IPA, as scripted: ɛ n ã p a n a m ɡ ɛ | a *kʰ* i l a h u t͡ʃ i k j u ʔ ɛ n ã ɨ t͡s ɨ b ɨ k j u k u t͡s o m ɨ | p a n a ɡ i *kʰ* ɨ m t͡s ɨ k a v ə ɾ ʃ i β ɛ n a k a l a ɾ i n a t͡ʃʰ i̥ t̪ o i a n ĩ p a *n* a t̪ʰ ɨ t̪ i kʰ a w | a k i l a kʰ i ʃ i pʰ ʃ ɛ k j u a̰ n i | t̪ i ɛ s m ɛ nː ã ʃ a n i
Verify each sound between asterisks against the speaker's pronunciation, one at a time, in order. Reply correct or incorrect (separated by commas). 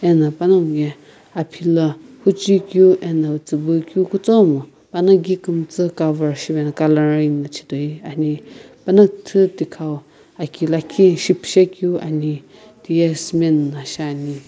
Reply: incorrect, incorrect, correct